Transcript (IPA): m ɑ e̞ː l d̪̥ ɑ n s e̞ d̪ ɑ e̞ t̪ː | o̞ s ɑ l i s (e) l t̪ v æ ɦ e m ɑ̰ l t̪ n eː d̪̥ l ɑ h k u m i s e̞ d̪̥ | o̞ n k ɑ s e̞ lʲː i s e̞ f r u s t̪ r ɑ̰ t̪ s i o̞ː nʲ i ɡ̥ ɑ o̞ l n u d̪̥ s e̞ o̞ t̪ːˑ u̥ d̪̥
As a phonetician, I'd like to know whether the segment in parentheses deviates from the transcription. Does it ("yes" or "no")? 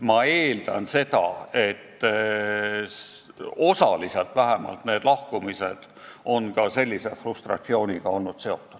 no